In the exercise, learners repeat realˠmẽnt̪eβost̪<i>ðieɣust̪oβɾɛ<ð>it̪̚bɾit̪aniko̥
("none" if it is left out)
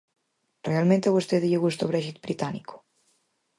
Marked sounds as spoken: e, ʒ

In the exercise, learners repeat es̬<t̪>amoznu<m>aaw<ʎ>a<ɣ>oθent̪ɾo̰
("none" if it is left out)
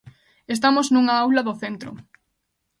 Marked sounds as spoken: t̪, ŋ, l, ð

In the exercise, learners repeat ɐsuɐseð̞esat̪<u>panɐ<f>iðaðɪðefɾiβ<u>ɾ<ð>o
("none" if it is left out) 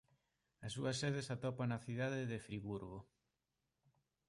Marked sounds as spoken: ɔ, θ, u, ɣ

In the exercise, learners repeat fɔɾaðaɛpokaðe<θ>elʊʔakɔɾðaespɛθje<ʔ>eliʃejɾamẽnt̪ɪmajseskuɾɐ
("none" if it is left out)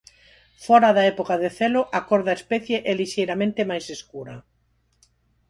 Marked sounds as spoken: θ, ʔ

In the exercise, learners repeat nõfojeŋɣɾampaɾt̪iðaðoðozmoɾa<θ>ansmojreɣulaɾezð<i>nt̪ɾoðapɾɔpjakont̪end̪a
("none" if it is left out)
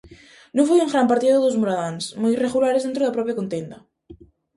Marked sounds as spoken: ð, e

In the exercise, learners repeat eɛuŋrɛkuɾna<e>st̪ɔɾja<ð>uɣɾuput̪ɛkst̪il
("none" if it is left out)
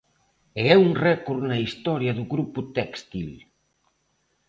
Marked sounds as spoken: i, ð

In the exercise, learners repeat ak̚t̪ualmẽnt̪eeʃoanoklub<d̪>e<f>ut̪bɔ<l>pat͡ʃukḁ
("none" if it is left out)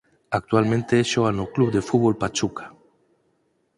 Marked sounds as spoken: d̪, f, l

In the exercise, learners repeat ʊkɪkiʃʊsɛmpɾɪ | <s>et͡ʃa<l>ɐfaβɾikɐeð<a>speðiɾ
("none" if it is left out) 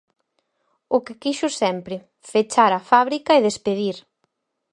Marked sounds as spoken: f, ɾ, e

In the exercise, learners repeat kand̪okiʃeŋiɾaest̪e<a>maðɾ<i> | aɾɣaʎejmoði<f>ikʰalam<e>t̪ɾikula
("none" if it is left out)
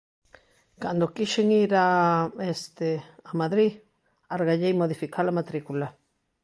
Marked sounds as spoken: a, i, f, a

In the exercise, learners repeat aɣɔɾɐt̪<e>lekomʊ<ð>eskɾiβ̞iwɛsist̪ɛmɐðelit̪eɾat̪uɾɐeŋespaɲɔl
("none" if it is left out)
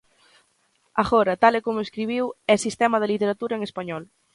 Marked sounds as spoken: a, none

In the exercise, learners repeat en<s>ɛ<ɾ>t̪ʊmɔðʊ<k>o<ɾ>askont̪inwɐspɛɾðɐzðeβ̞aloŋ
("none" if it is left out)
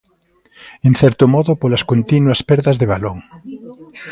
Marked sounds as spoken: θ, ɾ, p, l

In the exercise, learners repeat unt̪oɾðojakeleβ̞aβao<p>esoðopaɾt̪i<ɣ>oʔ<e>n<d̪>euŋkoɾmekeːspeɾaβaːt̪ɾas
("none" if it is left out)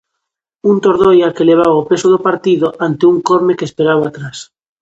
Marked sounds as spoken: p, ð, a, t̪

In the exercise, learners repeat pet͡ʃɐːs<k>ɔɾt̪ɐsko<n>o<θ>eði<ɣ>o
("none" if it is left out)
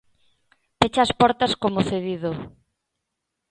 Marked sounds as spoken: p, m, θ, ð

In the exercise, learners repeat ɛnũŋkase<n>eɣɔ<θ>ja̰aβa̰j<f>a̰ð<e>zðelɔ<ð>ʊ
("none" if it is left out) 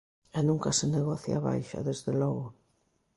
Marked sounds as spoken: n, θ, ʃ, e, ɣ

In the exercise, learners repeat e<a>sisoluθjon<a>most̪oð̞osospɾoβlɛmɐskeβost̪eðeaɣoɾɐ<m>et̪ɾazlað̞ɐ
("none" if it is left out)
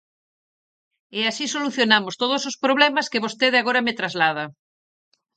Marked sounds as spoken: a, a, m

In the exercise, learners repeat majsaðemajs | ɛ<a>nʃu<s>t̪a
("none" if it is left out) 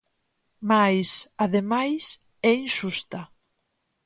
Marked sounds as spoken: i, s

